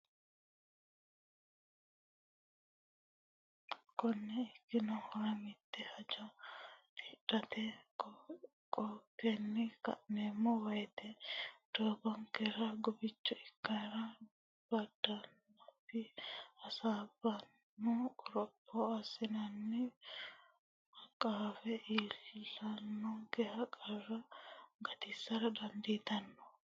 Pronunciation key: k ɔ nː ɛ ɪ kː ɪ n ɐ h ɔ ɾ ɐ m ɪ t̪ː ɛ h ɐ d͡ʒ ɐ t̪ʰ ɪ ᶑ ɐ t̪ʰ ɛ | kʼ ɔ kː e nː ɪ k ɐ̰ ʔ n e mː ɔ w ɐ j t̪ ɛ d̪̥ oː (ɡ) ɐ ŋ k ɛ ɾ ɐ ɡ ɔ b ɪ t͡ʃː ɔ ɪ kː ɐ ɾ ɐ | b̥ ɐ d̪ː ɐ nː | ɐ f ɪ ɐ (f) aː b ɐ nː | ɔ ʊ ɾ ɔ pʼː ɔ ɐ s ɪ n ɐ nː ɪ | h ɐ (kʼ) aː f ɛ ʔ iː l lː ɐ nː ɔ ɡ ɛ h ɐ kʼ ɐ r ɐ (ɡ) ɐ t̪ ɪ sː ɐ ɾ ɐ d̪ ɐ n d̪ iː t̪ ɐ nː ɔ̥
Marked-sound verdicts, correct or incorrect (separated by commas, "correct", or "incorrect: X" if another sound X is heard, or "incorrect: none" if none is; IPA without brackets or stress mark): incorrect: b, incorrect: s, correct, correct